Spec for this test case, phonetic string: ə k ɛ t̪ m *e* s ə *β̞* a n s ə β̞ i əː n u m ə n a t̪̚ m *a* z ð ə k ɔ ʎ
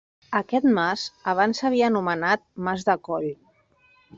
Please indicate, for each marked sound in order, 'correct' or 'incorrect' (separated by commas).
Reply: incorrect, correct, correct